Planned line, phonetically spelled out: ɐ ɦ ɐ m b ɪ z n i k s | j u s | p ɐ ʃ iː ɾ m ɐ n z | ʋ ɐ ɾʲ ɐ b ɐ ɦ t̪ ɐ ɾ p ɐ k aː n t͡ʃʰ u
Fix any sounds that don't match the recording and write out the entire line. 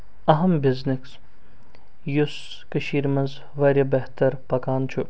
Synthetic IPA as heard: ɐ ɦ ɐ m b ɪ z n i k s | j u s | k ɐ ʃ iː ɾ m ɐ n z | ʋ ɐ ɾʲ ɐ b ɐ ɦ t̪ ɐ ɾ p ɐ k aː n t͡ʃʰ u